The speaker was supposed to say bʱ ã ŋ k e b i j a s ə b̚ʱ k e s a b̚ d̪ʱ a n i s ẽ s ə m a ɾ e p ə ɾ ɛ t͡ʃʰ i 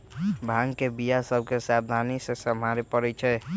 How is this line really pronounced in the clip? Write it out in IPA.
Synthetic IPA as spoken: bʱ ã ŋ k e b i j a s ə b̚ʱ k e s a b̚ d̪ʱ a n i s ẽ s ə m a ɾ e p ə ɾ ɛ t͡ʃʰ ɛ